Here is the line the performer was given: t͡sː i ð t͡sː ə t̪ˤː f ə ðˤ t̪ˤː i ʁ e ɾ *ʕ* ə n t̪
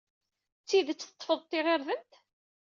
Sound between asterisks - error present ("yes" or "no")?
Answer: yes